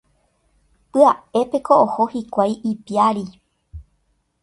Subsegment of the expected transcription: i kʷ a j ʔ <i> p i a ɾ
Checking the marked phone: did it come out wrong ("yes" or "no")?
no